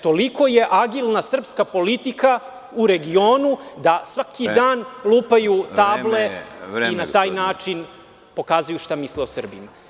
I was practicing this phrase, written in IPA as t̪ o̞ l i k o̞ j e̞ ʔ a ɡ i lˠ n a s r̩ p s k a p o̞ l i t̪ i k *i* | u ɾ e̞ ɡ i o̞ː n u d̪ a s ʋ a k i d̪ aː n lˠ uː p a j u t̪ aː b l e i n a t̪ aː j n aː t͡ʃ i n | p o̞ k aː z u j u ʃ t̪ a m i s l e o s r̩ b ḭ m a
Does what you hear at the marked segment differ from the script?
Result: yes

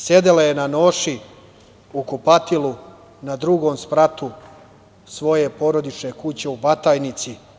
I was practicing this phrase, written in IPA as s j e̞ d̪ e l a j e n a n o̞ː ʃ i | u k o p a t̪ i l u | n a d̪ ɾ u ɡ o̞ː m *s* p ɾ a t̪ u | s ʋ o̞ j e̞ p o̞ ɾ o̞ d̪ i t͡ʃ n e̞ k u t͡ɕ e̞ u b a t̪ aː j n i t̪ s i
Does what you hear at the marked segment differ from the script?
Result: no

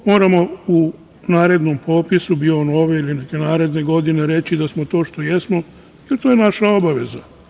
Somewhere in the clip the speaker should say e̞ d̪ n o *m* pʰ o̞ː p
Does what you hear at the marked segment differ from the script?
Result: no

